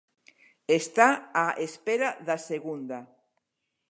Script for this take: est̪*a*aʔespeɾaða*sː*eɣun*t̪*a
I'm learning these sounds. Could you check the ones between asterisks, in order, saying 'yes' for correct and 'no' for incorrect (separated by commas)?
yes, no, no